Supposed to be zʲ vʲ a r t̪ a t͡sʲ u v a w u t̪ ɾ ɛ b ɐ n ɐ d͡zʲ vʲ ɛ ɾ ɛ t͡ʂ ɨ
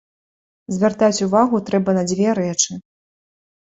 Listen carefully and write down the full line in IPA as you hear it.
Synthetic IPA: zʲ vʲ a r t̪ a t͡sʲ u v a ɣ u t̪ ɾ ɛ b ɐ n ɐ d͡zʲ vʲ ɛ ɾ ɛ t͡ʂ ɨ